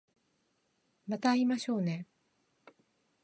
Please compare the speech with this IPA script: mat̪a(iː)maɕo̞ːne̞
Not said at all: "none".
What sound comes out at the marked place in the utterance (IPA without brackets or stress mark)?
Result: i